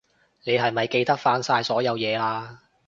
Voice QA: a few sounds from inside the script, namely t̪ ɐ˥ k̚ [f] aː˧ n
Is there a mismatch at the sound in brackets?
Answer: no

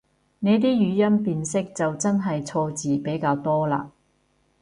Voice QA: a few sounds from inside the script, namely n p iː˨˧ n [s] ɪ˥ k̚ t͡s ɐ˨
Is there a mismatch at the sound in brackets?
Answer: no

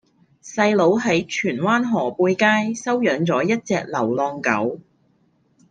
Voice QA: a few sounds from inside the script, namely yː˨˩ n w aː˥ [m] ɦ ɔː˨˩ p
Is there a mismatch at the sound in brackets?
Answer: yes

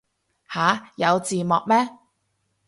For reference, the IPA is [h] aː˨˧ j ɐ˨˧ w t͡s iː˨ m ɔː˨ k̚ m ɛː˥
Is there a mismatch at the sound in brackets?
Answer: no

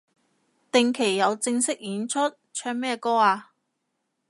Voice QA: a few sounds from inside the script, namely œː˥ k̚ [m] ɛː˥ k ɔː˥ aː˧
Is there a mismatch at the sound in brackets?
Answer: no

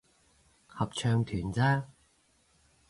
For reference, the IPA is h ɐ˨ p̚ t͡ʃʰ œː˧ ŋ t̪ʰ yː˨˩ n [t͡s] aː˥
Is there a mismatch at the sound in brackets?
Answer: no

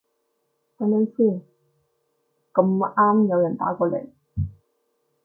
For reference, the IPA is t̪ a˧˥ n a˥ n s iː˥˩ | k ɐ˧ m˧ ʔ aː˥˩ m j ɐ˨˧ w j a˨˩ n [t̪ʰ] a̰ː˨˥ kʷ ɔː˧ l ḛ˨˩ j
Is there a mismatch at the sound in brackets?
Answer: yes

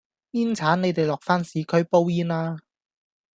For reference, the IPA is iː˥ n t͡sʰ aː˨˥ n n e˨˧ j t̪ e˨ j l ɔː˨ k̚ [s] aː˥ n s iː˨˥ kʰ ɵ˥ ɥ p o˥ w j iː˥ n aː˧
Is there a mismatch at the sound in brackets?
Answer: yes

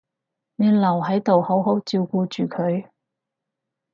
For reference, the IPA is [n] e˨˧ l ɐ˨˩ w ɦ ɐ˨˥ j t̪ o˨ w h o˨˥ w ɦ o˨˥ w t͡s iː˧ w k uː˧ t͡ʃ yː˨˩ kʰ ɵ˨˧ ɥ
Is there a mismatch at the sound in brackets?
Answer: no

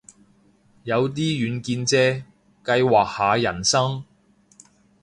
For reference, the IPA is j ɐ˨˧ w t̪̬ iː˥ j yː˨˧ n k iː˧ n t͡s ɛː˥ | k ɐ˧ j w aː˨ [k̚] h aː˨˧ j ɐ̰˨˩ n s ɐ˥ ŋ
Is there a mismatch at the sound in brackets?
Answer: no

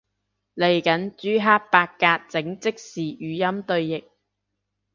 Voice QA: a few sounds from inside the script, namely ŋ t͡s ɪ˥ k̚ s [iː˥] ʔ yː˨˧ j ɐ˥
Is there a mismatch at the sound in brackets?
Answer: yes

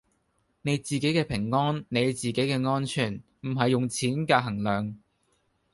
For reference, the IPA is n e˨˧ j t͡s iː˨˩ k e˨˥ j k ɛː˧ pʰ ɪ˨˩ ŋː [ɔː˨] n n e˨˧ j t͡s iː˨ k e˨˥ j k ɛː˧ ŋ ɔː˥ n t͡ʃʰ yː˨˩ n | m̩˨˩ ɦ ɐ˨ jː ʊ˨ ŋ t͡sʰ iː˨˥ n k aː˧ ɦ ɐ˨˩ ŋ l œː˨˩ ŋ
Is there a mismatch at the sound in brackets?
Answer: yes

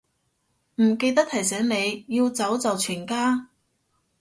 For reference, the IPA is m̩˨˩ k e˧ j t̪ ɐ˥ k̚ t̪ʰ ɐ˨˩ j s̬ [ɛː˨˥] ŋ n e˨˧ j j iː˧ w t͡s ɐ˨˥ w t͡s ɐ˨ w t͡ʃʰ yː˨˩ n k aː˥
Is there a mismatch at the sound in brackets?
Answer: no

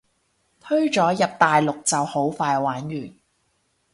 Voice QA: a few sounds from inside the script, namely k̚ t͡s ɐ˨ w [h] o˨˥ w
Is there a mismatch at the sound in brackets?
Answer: no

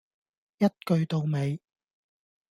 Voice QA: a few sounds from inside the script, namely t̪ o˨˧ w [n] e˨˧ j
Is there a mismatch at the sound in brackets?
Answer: yes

